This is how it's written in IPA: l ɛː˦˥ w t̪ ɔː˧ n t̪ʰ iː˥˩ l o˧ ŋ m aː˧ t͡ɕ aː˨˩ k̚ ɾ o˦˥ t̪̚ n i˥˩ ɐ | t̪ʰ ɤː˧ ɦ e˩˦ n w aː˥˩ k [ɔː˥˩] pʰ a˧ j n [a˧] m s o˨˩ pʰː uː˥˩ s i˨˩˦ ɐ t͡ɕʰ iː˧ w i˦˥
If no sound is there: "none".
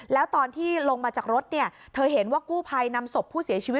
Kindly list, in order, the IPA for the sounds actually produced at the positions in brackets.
uː˥˩, a˧

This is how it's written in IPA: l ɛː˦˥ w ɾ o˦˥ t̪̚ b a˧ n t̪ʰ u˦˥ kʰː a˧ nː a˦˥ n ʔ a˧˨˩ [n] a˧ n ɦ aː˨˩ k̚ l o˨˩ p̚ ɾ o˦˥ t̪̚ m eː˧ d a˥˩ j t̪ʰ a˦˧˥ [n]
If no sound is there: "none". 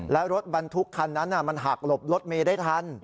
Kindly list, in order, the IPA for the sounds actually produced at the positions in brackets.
m, n

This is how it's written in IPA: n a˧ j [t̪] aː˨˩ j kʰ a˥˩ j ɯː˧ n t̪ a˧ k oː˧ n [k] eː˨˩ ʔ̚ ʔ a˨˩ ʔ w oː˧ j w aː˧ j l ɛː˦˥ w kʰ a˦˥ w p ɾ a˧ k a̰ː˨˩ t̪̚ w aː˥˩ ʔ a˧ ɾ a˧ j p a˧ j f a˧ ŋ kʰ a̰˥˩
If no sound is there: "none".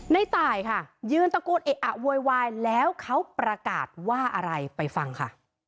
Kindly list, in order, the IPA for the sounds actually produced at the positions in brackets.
t̪, ʔ

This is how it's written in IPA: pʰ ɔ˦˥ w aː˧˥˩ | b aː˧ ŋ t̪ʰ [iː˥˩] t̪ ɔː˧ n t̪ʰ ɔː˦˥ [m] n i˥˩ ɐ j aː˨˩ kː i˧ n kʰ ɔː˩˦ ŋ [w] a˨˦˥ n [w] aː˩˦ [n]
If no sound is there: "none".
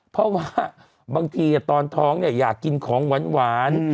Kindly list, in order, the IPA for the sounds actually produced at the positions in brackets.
iː˧˩, ŋ, w, w, n

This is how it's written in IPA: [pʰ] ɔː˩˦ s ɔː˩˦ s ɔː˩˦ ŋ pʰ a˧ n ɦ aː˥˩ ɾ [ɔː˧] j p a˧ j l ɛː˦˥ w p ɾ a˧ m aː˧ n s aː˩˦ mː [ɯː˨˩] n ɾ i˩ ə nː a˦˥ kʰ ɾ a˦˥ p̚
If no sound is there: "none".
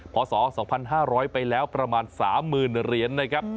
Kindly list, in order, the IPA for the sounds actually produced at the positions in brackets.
pʰ, ɔː˦˥, ɯː˨˩

